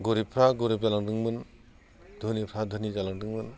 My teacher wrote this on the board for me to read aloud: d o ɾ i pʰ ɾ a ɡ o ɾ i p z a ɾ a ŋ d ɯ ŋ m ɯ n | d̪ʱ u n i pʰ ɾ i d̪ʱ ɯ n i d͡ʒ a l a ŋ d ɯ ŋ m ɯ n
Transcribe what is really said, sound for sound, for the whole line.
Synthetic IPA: ɡ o ɾ i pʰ ɾ a ɡ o ɾ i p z a l a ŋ d ɯ ŋ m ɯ n | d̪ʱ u n i pʰ ɾ a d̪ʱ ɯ n i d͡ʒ a l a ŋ d ɯ ŋ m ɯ n